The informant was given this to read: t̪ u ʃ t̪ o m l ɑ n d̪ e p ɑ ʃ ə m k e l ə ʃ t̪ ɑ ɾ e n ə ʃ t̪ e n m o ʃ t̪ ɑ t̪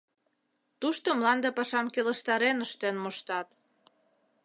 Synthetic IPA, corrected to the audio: t̪ u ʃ t̪ o m l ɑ n d̪ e p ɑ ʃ ɑ m k e l ə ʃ t̪ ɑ ɾ e n ə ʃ t̪ e n m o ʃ t̪ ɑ t̪